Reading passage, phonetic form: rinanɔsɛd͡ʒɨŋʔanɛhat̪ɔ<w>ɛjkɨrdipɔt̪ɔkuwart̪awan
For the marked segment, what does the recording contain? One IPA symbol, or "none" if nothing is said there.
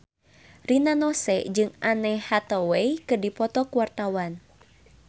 w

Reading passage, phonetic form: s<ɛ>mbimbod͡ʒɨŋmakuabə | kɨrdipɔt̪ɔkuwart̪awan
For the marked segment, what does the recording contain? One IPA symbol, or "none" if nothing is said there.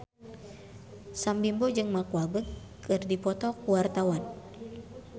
a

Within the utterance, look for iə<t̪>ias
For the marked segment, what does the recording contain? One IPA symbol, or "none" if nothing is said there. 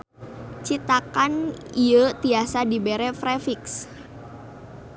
t̪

